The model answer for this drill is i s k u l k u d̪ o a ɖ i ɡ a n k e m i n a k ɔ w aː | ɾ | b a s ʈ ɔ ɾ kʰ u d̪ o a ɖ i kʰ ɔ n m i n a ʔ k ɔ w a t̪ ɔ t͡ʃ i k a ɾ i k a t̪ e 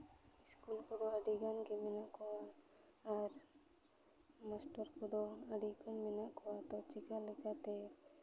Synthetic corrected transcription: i s k u l k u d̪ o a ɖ i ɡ a n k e m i n a k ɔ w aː | ɾ | m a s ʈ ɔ ɾ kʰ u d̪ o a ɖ i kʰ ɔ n m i n a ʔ k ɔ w a t̪ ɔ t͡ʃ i k a l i k a t̪ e